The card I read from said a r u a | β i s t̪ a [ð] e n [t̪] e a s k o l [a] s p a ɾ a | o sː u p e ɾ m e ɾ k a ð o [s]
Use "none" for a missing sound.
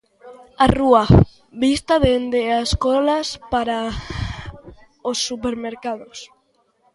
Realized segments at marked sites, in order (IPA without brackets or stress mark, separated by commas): ð, d̪, a, s